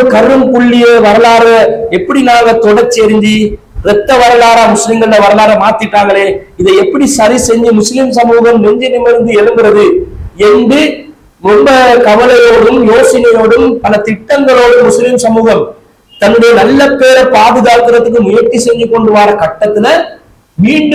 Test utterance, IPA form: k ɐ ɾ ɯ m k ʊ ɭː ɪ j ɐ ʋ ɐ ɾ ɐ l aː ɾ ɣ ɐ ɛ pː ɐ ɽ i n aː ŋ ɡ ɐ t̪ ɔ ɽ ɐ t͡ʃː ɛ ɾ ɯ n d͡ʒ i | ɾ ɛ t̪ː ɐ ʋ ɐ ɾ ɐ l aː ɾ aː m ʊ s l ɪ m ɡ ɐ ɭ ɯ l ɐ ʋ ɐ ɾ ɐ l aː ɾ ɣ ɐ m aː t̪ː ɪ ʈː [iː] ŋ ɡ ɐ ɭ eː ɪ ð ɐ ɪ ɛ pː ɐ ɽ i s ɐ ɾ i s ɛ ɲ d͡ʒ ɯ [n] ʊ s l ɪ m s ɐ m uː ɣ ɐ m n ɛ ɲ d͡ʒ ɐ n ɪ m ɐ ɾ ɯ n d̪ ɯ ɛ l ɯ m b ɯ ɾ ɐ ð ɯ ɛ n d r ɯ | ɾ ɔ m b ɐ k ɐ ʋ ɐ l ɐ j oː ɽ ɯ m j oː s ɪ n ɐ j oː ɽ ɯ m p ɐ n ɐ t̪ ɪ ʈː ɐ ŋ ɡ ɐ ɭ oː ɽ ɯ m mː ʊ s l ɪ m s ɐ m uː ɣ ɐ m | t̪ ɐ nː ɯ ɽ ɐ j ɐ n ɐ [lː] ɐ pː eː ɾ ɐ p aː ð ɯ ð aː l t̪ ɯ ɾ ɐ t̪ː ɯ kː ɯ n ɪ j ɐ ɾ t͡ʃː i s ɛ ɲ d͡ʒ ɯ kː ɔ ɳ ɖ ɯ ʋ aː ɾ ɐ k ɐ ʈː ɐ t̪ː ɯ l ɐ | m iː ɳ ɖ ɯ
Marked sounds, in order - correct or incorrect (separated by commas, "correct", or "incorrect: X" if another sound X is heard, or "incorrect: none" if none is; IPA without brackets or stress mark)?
incorrect: aː, incorrect: m, correct